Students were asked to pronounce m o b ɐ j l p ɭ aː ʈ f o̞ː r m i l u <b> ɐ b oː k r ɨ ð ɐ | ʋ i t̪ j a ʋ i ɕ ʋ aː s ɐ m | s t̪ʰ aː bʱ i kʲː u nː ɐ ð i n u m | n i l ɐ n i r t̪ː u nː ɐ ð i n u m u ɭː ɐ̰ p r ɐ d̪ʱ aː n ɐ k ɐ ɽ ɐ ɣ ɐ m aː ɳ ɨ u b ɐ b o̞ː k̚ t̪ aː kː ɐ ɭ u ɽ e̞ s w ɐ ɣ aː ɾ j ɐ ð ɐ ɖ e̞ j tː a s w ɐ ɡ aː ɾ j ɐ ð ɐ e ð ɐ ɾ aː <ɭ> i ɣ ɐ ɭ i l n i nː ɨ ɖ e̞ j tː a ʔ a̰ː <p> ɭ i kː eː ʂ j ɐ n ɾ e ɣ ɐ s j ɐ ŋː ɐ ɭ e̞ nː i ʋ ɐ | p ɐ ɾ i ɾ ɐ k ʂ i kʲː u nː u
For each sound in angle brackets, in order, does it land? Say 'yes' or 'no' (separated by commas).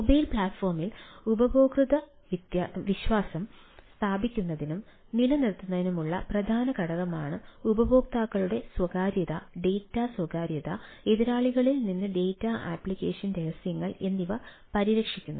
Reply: yes, yes, yes